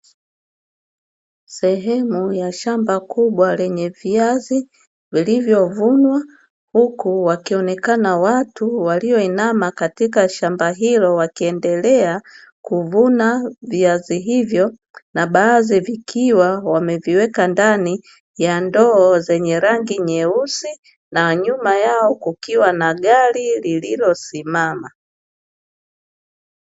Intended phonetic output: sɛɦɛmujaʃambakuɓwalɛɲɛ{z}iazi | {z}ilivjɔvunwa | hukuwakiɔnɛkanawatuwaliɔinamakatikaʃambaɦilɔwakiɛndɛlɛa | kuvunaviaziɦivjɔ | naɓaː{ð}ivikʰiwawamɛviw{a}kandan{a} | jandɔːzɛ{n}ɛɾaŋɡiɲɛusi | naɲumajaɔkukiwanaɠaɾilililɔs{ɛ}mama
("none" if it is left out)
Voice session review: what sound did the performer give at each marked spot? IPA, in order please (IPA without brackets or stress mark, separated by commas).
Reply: v, v, z, ɛ, i, ɲ, i